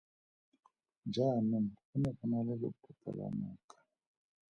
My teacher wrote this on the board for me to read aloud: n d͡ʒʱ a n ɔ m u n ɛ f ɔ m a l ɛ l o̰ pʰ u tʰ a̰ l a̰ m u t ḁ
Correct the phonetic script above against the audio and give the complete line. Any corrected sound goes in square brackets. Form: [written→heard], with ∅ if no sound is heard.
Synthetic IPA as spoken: n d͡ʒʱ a n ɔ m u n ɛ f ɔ [m→n] a l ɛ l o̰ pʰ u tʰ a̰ l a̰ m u [t→k] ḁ